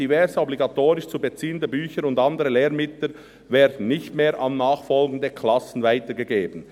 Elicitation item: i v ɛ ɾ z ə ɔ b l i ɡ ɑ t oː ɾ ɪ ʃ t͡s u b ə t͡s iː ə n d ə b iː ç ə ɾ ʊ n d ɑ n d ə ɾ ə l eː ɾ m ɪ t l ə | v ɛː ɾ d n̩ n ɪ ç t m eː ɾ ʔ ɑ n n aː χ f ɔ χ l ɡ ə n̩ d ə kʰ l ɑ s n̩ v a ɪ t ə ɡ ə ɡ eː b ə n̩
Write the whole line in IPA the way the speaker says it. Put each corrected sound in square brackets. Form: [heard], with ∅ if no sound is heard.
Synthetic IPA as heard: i v ɛ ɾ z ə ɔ b l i ɡ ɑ t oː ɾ ɪ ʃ t͡s u b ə t͡s iː ə n d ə b [yː] ç ə ɾ ʊ n d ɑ n d ə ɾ ə l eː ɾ m ɪ t l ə | v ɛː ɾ d n̩ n ɪ ç t m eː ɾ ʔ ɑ n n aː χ f ɔ [∅] l ɡ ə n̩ d ə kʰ l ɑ s n̩ v a ɪ t ə ɡ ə ɡ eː b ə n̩